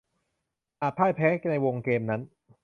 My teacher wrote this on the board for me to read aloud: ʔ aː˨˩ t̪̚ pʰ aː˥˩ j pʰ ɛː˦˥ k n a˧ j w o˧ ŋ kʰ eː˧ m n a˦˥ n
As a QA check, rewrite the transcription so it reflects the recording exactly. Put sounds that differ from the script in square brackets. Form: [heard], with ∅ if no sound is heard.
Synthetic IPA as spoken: ʔ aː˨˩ t̪̚ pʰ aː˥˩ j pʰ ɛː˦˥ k n a˧ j w o˧ ŋ [k] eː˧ m n a˦˥ n